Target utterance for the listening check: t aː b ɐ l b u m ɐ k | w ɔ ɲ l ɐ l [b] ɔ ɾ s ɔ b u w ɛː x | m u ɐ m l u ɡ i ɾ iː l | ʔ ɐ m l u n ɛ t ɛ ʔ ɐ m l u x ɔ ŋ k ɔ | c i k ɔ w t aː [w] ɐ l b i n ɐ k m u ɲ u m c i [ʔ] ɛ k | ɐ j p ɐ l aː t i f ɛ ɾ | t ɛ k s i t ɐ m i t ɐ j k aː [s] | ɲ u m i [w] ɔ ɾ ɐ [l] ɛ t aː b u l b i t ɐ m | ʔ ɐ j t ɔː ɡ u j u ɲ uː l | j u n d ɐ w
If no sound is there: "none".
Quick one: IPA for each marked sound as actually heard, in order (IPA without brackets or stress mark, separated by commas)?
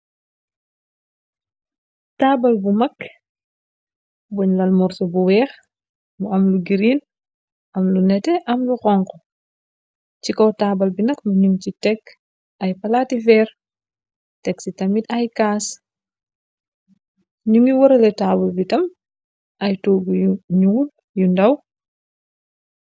m, b, t, s, w, l